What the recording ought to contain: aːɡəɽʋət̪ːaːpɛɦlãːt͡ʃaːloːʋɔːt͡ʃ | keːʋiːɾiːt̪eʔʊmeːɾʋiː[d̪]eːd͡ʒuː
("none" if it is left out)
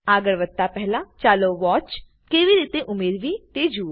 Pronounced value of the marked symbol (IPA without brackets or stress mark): t̪